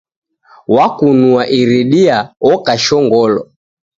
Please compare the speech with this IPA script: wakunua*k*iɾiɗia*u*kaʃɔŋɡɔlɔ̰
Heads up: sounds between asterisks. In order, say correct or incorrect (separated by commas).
incorrect, incorrect